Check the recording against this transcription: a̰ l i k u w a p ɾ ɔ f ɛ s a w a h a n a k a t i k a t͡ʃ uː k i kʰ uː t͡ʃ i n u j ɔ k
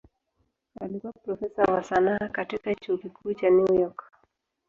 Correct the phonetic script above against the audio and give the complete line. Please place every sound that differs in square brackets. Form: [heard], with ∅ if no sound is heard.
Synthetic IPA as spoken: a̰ l i k u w a p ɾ ɔ f ɛ s a w a [s] a n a k a t i k a t͡ʃ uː k i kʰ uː t͡ʃ [a] n u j ɔ k